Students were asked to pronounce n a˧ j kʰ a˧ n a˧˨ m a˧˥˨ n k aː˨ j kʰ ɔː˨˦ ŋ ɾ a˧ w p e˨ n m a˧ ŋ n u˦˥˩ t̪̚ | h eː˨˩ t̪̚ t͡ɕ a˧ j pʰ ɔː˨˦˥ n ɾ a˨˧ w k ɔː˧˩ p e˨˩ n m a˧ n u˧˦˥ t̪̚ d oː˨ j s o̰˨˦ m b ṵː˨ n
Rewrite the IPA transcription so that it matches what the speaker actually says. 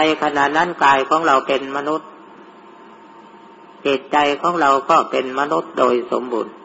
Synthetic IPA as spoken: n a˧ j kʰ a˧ n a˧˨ n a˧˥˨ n k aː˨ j kʰ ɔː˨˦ ŋ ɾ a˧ w p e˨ n m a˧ n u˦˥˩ t̪̚ | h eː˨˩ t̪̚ t͡ɕ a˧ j kʰ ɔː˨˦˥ ŋ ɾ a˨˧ w k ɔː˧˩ p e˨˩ n m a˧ n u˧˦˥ t̪̚ d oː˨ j s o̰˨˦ m b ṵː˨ n

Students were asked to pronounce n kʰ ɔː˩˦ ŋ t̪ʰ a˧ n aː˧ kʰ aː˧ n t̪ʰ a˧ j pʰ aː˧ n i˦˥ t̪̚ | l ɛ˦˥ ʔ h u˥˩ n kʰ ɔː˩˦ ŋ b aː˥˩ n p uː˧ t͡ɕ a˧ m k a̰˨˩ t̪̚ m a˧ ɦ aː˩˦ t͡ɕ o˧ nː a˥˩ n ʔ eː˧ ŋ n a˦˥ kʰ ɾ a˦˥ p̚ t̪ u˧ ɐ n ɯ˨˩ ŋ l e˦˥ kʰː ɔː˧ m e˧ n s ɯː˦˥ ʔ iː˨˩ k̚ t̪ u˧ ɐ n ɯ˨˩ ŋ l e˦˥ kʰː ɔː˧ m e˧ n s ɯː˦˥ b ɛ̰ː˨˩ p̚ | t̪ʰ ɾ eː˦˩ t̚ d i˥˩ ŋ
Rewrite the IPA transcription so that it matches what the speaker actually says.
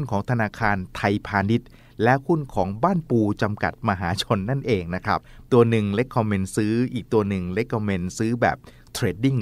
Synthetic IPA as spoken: n kʰ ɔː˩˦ ŋ t̪ʰ a˧ n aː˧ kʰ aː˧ n t̪ʰ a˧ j pʰ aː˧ n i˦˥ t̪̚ | l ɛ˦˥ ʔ h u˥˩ n kʰ ɔː˩˦ ŋ b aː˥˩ n p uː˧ t͡ɕ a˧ m k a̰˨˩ t̪̚ m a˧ ɦ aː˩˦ t͡ɕʰ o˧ nː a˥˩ n ʔ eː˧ ŋ n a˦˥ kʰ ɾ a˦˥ p̚ t̪ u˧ ɐ n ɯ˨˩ ŋ l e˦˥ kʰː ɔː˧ m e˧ n s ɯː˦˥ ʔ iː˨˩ k̚ t̪ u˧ ɐ n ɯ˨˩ ŋ l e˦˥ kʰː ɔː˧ m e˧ n s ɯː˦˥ b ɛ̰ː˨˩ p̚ | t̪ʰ ɾ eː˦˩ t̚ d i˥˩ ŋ

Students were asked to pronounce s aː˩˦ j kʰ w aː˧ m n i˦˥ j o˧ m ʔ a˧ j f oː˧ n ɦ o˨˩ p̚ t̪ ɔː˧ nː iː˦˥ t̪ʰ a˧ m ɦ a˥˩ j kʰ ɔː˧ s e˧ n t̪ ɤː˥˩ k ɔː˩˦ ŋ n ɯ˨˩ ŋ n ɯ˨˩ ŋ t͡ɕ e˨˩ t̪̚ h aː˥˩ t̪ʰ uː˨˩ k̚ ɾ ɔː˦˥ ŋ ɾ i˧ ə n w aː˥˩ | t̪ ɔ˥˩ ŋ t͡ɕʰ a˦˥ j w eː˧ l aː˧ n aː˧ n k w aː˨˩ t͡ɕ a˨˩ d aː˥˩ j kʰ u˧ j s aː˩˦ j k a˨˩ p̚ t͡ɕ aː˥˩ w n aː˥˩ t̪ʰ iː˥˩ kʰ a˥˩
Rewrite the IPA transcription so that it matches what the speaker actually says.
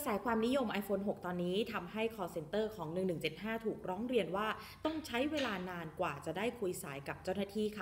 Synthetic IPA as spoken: s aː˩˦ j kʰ w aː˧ m n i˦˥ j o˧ m ʔ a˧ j f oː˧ n ɦ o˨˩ k̚ t̪ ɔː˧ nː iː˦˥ t̪ʰ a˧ m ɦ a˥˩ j kʰ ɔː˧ s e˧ n t̪ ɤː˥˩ kʰ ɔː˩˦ ŋ n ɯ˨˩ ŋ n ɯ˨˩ ŋ t͡ɕ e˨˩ t̪̚ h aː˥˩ t̪ʰ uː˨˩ k̚ ɾ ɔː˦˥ ŋ ɾ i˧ ə n w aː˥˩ | t̪ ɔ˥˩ ŋ t͡ɕʰ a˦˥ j w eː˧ l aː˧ n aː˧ n k w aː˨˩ t͡ɕ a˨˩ d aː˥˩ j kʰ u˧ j s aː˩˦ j k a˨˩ p̚ t͡ɕ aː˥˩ w n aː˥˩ t̪ʰ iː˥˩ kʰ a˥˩

